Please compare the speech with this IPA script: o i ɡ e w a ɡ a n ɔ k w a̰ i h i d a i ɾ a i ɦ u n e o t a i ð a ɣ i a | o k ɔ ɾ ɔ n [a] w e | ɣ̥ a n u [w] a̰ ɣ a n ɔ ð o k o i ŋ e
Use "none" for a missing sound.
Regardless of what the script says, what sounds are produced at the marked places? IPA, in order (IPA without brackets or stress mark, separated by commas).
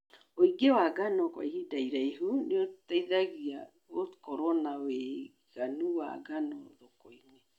a, w